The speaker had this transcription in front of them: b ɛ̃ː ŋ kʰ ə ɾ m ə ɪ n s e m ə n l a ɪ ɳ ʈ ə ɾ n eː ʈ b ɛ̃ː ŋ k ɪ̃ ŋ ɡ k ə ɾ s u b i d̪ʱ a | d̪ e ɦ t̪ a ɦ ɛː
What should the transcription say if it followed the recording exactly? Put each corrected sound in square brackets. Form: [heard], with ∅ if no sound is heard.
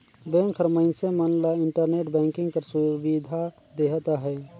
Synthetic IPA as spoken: b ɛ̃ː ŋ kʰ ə ɾ m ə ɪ n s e m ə n l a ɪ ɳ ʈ ə ɾ n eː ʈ b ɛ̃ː ŋ k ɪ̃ ŋ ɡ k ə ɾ s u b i d̪ʱ a | d̪ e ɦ t̪ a ɦ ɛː